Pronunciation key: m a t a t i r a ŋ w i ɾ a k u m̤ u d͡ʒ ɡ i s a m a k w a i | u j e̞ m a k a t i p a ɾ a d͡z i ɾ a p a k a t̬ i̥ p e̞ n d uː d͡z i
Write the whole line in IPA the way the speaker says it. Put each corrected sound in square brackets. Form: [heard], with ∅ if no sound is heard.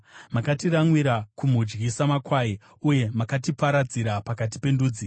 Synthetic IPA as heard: m a [k] a t i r a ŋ w i ɾ a k u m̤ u d͡ʒ ɡ i s a m a k w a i | u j e̞ m a k a t i p a ɾ a d͡z i ɾ a p a k a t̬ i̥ p e̞ n d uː d͡z i